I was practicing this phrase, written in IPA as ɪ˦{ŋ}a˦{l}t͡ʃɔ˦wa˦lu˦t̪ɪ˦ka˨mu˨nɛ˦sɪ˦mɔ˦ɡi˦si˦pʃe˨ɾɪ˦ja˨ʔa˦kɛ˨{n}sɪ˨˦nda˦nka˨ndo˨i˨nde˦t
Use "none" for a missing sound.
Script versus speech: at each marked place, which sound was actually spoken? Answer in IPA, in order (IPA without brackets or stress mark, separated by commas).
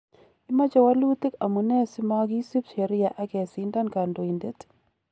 m, none, none